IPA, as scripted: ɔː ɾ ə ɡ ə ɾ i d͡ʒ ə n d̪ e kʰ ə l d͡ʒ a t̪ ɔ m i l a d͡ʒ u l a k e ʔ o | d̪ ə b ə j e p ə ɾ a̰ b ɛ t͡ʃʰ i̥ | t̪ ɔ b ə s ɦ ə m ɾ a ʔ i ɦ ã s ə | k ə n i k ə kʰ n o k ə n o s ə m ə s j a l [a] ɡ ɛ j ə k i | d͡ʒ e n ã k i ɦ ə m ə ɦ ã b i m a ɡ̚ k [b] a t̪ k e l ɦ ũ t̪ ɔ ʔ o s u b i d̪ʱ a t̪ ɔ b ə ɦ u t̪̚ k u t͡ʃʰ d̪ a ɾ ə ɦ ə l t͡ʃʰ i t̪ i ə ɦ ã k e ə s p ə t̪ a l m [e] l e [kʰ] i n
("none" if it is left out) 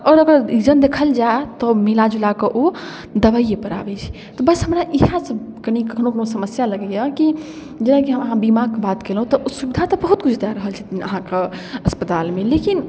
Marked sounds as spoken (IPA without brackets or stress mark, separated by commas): ə, b, e, k